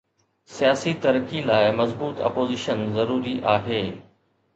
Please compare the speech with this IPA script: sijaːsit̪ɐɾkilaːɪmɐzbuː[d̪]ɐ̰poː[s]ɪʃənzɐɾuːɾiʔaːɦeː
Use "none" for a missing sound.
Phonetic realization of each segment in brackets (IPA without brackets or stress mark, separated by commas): t̪, z